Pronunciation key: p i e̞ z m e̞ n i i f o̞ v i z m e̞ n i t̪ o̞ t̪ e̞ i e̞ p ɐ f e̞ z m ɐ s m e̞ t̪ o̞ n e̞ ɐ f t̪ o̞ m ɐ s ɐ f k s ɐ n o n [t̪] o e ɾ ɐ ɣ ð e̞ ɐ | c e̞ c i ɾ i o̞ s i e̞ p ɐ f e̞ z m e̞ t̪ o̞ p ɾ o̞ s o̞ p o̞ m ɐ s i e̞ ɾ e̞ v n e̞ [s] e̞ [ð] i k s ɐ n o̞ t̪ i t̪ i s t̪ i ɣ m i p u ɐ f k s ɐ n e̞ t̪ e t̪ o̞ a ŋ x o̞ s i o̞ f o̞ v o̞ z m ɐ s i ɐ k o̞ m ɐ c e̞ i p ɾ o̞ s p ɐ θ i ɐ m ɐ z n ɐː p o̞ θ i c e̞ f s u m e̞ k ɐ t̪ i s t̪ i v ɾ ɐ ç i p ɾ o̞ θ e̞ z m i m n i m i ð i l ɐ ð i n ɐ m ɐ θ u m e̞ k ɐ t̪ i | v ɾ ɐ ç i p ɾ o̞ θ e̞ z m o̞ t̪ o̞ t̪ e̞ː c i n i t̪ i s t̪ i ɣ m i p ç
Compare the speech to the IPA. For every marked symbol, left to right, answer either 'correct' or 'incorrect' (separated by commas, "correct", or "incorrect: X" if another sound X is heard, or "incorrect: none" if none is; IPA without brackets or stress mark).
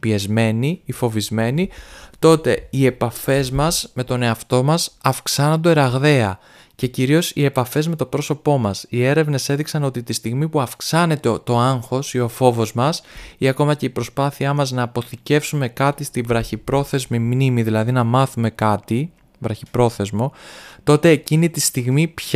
incorrect: d̪, correct, correct